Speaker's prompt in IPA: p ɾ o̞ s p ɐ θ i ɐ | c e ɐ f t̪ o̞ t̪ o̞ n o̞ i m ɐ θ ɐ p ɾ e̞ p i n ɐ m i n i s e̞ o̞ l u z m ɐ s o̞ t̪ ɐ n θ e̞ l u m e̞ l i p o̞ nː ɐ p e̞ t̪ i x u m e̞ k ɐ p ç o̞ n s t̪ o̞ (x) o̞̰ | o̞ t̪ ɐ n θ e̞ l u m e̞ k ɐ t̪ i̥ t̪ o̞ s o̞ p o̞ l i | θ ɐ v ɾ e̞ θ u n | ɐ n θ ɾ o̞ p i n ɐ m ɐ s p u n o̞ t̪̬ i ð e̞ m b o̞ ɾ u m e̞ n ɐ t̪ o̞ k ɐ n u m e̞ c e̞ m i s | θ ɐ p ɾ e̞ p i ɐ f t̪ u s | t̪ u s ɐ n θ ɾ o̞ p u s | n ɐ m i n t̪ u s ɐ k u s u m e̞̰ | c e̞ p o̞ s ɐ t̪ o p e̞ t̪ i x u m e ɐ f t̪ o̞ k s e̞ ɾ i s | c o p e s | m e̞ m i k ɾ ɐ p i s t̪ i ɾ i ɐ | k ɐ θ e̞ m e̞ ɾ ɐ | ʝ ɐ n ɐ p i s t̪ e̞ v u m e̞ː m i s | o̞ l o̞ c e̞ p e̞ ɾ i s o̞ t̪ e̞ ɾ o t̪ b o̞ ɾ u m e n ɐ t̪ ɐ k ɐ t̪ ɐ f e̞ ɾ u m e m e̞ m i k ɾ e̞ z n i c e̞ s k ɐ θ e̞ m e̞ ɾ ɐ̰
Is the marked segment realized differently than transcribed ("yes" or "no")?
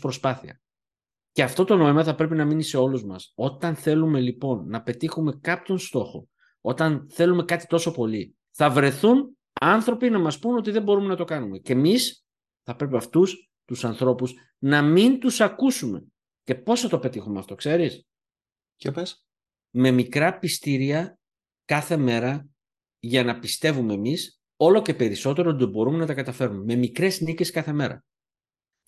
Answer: no